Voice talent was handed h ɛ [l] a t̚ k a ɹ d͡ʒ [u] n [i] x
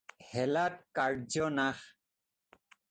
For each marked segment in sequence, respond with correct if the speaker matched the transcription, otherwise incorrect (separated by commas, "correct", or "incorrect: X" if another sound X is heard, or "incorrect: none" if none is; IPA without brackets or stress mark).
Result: correct, incorrect: ɔ, incorrect: a